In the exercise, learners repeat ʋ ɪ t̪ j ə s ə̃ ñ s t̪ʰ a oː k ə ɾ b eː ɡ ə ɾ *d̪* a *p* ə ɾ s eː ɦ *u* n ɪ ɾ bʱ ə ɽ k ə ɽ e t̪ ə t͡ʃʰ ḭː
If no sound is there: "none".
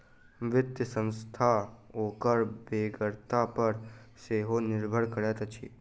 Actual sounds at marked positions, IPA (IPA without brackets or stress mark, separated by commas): t̪, p, o